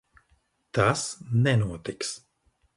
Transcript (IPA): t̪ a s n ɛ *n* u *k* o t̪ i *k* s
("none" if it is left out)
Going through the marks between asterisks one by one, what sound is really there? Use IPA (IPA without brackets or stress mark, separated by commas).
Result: n, none, k